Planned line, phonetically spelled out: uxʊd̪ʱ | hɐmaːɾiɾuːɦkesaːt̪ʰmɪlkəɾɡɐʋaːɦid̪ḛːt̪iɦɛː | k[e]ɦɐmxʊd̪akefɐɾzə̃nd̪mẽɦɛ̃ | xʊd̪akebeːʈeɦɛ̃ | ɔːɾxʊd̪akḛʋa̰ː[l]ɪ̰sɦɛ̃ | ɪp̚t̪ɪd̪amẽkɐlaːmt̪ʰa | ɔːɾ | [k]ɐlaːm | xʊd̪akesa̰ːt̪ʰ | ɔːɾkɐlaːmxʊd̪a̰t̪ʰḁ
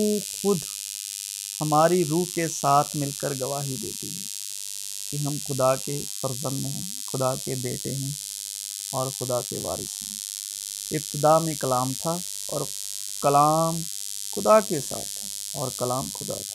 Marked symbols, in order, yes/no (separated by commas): no, no, yes